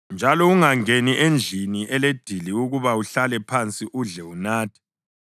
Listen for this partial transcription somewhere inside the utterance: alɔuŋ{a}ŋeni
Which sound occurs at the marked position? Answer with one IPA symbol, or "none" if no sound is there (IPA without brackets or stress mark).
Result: a